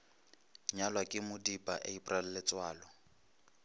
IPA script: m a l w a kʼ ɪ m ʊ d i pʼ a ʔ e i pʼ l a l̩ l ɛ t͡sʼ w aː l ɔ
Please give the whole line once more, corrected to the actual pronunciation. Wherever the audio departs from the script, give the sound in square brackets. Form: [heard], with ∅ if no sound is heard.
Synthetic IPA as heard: [ɲ] a l w a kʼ ɪ m ʊ d i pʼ a ʔ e i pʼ [r] a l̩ l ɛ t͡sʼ w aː l ɔ